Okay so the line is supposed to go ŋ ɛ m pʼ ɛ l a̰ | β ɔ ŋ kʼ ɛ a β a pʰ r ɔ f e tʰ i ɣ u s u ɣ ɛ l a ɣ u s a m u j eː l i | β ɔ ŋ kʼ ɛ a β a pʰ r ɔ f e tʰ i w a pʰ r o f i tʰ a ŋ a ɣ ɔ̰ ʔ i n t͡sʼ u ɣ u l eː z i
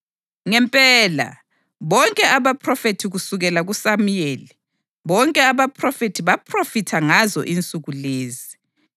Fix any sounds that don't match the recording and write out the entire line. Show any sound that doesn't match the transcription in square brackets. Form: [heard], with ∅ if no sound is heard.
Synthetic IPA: ŋ ɛ m pʼ ɛ l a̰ | β ɔ ŋ kʼ ɛ a β a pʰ r ɔ f e tʰ i ɣ u s u ɣ ɛ l a ɣ u s a m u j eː l i | β ɔ ŋ kʼ ɛ a β a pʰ r ɔ f e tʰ i [β] a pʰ r o f i tʰ a ŋ a [z] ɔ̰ ʔ i n t͡sʼ u ɣ u l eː z i